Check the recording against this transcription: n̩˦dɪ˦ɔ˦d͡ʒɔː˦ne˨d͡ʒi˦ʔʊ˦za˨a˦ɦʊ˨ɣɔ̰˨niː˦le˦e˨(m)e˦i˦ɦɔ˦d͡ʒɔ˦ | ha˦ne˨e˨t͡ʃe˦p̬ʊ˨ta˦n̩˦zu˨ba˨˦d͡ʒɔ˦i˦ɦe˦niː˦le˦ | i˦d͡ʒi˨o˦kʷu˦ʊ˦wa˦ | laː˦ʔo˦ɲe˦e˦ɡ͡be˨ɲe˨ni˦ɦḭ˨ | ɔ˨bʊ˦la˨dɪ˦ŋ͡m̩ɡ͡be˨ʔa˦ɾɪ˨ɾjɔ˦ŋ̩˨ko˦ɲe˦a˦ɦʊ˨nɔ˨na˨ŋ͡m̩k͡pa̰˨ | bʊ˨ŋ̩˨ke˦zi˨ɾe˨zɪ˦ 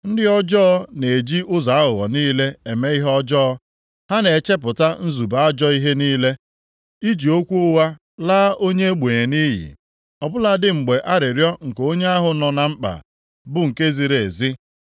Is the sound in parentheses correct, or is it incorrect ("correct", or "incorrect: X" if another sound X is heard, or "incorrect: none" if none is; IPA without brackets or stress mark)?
correct